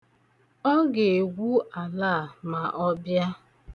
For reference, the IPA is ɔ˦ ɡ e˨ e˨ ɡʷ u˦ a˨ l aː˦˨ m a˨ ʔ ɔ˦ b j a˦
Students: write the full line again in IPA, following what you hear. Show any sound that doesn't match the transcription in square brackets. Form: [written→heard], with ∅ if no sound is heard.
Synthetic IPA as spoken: ɔ˦ ɡ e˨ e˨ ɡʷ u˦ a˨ l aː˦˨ m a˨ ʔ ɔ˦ b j a˦